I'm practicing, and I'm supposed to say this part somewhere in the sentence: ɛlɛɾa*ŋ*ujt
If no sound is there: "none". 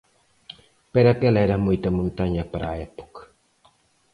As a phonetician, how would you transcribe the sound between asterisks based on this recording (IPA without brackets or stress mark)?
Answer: m